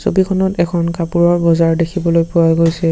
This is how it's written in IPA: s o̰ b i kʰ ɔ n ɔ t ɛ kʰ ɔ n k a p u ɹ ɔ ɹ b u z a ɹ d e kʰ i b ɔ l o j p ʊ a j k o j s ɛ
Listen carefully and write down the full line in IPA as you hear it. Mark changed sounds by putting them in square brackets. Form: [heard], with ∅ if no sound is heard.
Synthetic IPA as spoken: s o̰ b i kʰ ɔ n ɔ t ɛ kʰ ɔ n k a p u ɹ ɔ ɹ b [ɔ] z a ɹ d e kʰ i b ɔ l o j p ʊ a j [ɡ] o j s ɛ

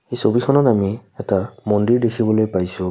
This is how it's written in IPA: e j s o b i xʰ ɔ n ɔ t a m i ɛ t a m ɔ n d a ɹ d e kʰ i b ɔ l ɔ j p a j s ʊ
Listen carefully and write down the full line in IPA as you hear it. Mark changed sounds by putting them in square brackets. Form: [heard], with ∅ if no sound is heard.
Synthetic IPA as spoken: e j s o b i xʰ ɔ n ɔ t a m i ɛ t a m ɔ n d [i] ɹ d e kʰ i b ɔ l [o] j p a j s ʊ

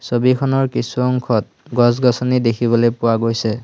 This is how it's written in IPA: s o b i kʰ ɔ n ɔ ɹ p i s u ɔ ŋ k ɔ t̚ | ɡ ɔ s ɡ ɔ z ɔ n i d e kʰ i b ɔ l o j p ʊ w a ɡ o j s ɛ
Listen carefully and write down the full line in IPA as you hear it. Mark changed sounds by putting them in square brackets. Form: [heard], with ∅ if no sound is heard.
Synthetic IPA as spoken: s o b i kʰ ɔ n ɔ ɹ [k] i s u ɔ ŋ [kʰ] ɔ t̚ | ɡ ɔ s ɡ ɔ [s] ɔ n i d e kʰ i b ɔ l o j p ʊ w a ɡ o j s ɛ

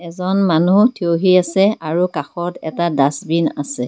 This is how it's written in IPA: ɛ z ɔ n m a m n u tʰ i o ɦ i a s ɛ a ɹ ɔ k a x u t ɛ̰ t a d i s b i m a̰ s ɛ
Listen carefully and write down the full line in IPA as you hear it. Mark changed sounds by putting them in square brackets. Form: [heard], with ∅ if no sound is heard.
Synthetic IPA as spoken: ɛ z ɔ n m a [∅] n u tʰ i o ɦ i a s ɛ a ɹ [u] k a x [ɔ] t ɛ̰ t a d [a] s b i [n] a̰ s ɛ

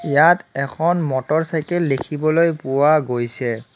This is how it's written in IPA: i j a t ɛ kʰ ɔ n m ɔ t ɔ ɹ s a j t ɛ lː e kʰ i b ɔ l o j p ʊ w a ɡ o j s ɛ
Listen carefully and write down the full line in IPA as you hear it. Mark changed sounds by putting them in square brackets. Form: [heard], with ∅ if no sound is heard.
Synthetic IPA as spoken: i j a t ɛ kʰ ɔ n m ɔ t ɔ ɹ s a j [k] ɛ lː e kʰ i b ɔ l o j p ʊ w a ɡ o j s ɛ

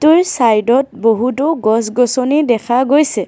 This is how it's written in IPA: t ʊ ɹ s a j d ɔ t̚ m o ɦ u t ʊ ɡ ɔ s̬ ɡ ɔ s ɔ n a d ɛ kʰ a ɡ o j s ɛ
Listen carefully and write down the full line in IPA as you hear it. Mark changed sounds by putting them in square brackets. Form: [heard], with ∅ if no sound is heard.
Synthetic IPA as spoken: t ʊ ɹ s a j d ɔ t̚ [b] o ɦ u t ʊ ɡ ɔ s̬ ɡ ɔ s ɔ n [i] d ɛ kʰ a ɡ o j s ɛ

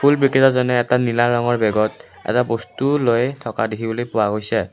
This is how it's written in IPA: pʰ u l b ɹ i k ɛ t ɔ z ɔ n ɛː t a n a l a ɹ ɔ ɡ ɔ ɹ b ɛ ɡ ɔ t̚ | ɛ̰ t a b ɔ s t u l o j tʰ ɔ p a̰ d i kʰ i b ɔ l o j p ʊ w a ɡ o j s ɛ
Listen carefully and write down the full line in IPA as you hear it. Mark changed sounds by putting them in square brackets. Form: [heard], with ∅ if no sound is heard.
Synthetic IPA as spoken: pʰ u l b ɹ i k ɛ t ɔ z ɔ n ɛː t a n [i] l a ɹ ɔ [ŋ] ɔ ɹ b ɛ ɡ ɔ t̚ | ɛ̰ t a b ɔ s t u l o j tʰ ɔ [k] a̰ d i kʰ i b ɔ l o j p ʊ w a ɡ o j s ɛ

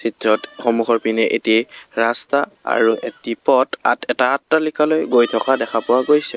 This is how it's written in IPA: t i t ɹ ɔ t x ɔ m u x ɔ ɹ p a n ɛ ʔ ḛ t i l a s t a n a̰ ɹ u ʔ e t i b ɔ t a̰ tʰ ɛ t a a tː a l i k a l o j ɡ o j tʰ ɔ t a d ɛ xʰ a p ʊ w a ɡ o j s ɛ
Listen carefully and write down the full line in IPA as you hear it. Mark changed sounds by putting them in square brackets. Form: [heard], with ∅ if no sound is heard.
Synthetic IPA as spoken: [s] i t ɹ ɔ t x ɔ m u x ɔ ɹ p [i] n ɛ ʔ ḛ t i [ɹ] a s t a [∅] a̰ ɹ u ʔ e t i [p] ɔ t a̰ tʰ ɛ t a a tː a l i k a l o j ɡ o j tʰ ɔ [k] a d ɛ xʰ a p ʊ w a ɡ o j s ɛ

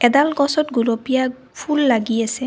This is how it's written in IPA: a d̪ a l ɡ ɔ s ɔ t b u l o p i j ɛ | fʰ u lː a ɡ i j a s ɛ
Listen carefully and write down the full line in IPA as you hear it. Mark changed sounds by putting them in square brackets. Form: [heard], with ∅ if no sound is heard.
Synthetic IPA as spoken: [ɛ] d̪ a l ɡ ɔ s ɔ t [ɡ] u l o p i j [a] | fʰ u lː a ɡ i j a s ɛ

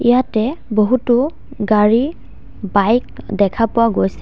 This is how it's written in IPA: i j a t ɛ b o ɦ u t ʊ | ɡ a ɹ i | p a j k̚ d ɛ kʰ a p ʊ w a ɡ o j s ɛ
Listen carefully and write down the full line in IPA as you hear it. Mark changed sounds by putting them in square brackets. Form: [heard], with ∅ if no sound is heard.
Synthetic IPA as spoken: i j a t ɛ b o ɦ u t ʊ | ɡ a ɹ i | [b] a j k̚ d ɛ kʰ a p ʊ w a ɡ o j s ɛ

